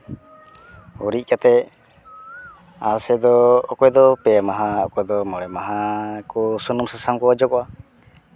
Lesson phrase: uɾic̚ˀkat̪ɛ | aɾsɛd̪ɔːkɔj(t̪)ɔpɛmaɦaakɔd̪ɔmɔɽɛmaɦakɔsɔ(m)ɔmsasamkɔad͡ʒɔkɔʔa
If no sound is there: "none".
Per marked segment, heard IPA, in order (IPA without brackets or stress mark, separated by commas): d̪, n